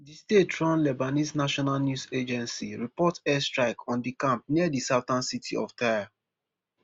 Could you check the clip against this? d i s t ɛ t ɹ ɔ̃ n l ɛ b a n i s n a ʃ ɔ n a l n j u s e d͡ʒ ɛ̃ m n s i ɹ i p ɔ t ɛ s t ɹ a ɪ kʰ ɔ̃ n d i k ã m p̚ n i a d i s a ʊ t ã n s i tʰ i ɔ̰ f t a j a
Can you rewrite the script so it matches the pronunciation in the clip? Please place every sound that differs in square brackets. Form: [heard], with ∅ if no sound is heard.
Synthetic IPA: d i s t [e] t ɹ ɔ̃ n l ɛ b a n i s n a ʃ ɔ n a l n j u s e d͡ʒ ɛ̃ [∅] n s i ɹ i p ɔ t ɛ s t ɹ a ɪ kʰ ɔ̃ n d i k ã m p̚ n i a d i s a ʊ t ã n s i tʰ i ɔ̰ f t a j a

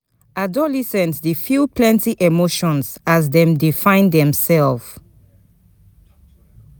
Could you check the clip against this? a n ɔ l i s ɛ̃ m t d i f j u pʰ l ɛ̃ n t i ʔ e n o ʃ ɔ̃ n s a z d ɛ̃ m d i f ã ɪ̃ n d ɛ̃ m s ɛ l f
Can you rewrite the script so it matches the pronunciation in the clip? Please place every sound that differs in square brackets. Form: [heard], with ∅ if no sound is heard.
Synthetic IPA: a [d] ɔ l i s ɛ̃ [n] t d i f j u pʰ l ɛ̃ n t i ʔ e [m] o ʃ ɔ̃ n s a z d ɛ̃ m d i f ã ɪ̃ n d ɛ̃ m s ɛ l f

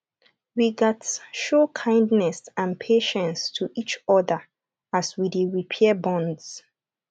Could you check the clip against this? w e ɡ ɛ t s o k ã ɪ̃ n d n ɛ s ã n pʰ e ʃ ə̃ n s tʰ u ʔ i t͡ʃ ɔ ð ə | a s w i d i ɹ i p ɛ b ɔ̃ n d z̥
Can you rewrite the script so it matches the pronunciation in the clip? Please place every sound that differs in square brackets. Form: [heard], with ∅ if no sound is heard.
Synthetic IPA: w [i] ɡ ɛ t [ʃ] o [kʰ] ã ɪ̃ n d n ɛ s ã n pʰ e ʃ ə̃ n s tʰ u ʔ i t͡ʃ ɔ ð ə | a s w i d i ɹ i [pʰ] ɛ b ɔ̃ n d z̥

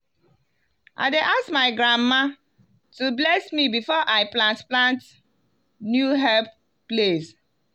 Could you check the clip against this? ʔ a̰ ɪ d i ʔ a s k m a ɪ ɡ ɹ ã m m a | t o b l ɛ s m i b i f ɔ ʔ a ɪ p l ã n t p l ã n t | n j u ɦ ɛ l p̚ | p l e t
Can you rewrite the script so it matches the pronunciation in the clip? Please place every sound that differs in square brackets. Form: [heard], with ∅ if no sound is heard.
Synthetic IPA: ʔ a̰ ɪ d [e] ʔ a s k m a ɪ ɡ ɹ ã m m a | t [u] b l ɛ s m i b i f ɔ ʔ a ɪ p l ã n t p l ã n t | n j u ɦ ɛ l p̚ | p l e [s]

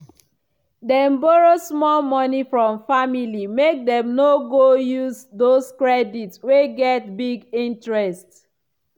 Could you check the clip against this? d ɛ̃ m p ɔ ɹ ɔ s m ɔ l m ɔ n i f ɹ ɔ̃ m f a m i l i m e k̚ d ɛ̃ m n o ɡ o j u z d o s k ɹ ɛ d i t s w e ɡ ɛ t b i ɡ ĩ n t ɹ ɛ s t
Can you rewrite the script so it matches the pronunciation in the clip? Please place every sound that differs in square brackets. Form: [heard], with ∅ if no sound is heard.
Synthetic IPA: d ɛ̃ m [b] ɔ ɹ [o] s m ɔ l m ɔ n i f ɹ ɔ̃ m f a m i l i m e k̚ d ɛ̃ m n o ɡ o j u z d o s k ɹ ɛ d i t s w e ɡ ɛ t b i ɡ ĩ n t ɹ ɛ s t

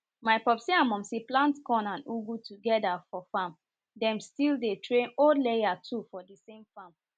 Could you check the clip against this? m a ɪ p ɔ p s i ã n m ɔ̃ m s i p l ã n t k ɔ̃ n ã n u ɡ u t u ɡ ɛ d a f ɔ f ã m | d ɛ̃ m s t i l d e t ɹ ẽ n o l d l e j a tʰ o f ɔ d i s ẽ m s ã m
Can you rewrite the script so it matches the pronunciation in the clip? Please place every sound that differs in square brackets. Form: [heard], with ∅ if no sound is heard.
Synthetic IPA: m a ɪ p ɔ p s i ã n m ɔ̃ m s i p l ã n t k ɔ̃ n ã n u ɡ u t u ɡ ɛ d a f ɔ f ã m | d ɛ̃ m s t i l d e t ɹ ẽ n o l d l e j a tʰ [u] f ɔ d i s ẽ m [f] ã m

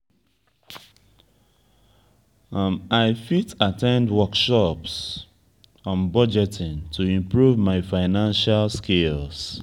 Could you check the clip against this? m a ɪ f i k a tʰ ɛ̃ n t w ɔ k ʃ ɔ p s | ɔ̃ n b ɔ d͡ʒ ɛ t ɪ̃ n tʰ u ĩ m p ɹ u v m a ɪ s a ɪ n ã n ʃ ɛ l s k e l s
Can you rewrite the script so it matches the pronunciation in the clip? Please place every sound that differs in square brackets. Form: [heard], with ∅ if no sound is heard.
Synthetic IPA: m a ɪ f i [t] a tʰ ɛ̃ n [d] w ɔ k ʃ ɔ p s | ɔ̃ n b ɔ d͡ʒ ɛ t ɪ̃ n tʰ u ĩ m p ɹ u v m a ɪ [f] a ɪ n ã n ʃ [a] l s k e l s

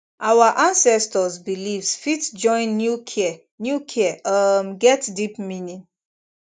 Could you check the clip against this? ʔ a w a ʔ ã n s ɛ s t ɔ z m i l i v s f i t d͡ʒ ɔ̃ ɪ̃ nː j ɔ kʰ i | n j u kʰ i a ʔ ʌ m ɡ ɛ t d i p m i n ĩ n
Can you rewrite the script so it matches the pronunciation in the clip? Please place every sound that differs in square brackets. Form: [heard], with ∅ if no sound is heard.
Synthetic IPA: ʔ a w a ʔ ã n s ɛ s t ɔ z [b] i l i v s f i t d͡ʒ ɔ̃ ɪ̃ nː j [u] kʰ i | n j u kʰ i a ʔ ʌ m ɡ ɛ t d i p m i n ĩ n

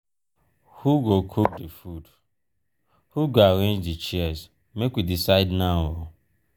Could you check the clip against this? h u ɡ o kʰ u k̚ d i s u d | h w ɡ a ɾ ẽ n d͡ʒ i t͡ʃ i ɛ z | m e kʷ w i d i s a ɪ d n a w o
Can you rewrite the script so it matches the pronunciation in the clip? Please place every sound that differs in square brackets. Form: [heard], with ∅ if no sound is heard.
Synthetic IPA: h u ɡ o kʰ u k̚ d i [f] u d | h [u] ɡ a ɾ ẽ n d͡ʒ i t͡ʃ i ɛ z | m e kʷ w i d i s a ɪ d n a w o

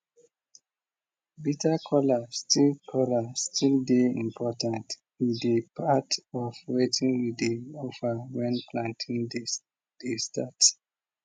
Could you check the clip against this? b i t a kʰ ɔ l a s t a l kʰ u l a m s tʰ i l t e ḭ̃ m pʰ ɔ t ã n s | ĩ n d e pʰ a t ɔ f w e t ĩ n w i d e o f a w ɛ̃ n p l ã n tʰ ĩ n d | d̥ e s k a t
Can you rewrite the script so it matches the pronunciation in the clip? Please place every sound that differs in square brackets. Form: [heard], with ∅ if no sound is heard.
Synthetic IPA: b i t a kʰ ɔ l a s t [i] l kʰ [ɔ] l a [∅] s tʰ i l [d] e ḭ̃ m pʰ ɔ t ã n [t] | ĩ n d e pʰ a t ɔ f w e t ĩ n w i d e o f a w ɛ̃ n p l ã n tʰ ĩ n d | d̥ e s [t] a t

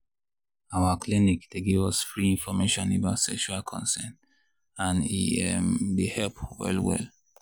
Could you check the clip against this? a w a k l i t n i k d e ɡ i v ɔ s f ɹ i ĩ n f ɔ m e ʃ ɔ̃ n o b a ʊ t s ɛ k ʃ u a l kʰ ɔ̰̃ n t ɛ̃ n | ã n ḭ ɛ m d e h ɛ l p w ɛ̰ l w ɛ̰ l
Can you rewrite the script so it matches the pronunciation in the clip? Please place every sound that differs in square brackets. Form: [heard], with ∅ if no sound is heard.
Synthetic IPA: a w a k l i [∅] n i k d e ɡ i v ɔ s f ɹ i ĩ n f ɔ m e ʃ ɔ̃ n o b a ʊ t s ɛ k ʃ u a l kʰ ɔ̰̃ n [s] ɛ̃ n | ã n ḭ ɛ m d e h ɛ l p w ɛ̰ l w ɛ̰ l

